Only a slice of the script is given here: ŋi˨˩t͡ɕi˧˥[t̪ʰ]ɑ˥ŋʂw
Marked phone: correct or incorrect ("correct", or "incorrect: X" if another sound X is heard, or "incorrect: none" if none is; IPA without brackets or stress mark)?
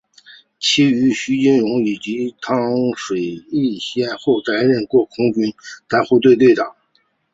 correct